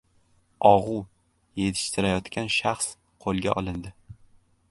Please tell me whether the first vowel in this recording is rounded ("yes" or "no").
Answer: yes